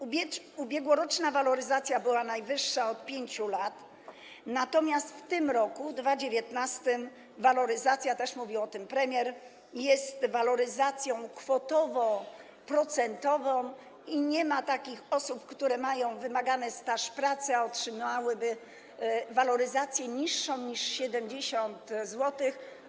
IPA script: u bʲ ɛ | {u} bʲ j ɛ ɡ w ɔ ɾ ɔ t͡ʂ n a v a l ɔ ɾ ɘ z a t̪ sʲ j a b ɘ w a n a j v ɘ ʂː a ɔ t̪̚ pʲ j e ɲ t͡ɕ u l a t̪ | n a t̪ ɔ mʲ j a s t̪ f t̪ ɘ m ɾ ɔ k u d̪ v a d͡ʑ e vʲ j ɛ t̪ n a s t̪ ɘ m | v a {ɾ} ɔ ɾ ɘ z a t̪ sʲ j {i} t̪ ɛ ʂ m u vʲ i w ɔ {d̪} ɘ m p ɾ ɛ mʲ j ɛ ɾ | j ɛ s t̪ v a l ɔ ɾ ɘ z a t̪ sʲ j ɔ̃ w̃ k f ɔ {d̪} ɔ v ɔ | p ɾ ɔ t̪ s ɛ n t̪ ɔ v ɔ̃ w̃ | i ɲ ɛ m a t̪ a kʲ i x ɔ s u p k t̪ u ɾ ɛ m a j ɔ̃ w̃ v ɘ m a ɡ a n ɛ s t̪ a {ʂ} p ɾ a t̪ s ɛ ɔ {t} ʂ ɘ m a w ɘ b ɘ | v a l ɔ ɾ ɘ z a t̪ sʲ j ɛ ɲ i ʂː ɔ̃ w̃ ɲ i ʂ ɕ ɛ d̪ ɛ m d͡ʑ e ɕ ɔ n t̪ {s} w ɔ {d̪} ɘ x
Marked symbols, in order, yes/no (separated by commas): yes, no, no, no, no, yes, yes, no, no